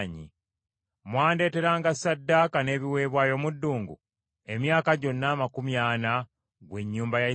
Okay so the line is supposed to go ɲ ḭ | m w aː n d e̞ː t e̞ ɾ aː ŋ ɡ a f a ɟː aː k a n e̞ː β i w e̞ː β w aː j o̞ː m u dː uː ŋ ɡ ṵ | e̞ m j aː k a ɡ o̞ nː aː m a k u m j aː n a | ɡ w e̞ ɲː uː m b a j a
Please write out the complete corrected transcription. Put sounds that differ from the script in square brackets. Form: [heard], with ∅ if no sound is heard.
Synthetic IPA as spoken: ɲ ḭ | m w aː n d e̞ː t e̞ ɾ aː ŋ ɡ a [s] a [dː] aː k a n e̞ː β i w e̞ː β w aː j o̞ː m u dː uː ŋ ɡ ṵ | e̞ m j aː k a [ɟ] o̞ nː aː m a k u m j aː n a | ɡ w e̞ ɲː uː m b a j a